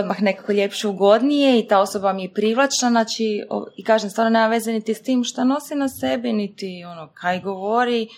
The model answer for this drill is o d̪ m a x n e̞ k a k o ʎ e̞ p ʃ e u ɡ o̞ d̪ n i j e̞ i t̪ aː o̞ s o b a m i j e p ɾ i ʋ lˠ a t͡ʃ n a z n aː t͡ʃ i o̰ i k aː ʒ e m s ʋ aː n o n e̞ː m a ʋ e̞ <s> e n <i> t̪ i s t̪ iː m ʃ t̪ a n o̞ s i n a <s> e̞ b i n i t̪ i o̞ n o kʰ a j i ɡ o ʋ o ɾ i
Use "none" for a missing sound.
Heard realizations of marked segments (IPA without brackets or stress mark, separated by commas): z, i, s